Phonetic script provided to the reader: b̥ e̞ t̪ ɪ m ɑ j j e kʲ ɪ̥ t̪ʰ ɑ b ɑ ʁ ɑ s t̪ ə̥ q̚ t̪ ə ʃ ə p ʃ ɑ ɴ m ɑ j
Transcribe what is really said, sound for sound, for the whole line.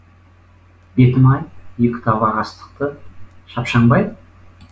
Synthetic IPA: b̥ e̞ t̪ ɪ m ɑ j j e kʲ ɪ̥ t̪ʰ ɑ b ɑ ʁ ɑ s t̪ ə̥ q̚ t̪ ə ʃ ɑ p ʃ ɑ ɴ b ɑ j

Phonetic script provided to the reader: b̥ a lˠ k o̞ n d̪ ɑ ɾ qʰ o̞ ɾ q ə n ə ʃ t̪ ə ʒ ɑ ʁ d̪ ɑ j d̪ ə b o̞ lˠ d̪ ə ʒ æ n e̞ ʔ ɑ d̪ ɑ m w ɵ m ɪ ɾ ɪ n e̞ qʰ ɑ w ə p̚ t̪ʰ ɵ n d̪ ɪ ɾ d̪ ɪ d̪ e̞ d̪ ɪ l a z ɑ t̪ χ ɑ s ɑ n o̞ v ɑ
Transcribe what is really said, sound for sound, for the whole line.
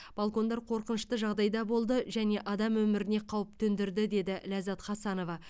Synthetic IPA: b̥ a lˠ k o̞ n d̪ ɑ ɾ qʰ o̞ ɾ q ə n ə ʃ t̪ ə ʒ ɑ ʁ d̪ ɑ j d̪ ɑ b o̞ lˠ d̪ ə ʒ æ n e̞ ʔ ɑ d̪ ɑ m w ɵ m ɪ ɾ ɪ n e̞ qʰ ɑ w ə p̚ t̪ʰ ɵ n d̪ ɪ ɾ d̪ ɪ d̪ e̞ d̪ ɪ l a z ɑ t̪ χ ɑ s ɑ n o̞ v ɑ

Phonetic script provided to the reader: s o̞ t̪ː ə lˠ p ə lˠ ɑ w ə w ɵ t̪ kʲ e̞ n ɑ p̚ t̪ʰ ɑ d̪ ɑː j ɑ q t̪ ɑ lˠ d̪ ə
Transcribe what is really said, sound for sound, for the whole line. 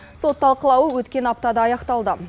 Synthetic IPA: s o̞ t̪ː ɑ lˠ q ə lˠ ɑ w ə w ɵ t̪ kʲ e̞ n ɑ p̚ t̪ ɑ d̪ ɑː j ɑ q t̪ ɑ lˠ d̪ ə

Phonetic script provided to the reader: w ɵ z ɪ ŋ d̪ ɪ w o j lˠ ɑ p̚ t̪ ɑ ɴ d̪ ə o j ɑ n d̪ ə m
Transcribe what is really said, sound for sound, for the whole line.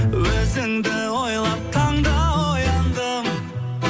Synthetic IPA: w ɵ z ɪ ŋ d̪ ɪ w o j lˠ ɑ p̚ t̪ʰ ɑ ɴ d̪ ɑ o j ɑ n d̪ ə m

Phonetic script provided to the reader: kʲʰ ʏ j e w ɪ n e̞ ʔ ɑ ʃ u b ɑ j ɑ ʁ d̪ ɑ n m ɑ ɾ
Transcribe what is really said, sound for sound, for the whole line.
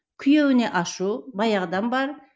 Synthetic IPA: kʲʰ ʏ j e w ɪ n e̞ ʔ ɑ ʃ u b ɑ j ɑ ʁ d̪ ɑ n b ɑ ɾ

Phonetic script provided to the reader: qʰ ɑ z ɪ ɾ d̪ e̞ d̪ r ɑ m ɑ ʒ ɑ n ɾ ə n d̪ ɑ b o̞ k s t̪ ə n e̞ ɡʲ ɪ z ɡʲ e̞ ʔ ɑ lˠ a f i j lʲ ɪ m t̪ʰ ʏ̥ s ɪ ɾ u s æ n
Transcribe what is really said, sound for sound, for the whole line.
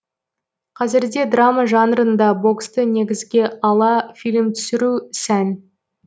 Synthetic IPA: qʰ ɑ z ɪ ɾ d̪ e̞ d̪ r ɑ m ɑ ʒ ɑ n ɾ ə n d̪ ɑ b o̞ k s t̪ ə n e̞ ɡʲ ɪ z ɡʲ e̞ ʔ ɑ lˠ ɑ f i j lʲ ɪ m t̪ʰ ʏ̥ s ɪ ɾ u s æ n

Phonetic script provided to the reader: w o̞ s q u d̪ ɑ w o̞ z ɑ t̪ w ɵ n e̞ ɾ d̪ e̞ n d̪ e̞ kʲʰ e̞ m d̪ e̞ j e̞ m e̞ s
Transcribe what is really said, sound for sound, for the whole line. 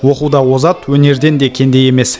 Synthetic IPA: w o̞ q u d̪ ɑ w o̞ z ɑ t̪ w ɵ n e̞ ɾ d̪ e̞ n d̪ e̞ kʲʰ e̞ n d̪ e̞ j e̞ m e̞ s

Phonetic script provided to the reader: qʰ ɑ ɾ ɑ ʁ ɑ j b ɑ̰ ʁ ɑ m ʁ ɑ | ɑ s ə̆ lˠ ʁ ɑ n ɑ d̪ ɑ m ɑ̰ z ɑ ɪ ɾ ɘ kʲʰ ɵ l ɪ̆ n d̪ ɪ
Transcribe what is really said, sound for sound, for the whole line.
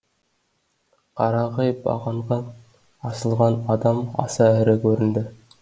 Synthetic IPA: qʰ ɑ ɾ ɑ ʁ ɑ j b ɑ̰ ʁ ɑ ɴ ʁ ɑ | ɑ s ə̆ lˠ ʁ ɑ n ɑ d̪ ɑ m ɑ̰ s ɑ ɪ ɾ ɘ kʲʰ ɵ ɾ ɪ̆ n d̪ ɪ

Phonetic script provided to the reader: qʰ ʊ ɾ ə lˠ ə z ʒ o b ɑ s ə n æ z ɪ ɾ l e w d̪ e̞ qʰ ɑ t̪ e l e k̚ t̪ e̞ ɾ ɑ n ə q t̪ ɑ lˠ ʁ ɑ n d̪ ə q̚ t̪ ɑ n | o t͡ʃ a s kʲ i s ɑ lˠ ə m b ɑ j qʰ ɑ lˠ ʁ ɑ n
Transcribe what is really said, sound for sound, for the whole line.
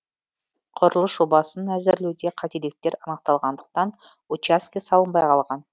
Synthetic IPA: qʰ ʊ ɾ ə lˠ ə s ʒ o b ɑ s ə n æ z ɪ ɾ l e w d̪ e̞ qʰ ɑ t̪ e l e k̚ t̪ e̞ ɾ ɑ n ə q t̪ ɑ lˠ ʁ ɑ n d̪ ə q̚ t̪ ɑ n | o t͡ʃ a s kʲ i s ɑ lˠ ə m b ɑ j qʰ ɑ lˠ ʁ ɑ n

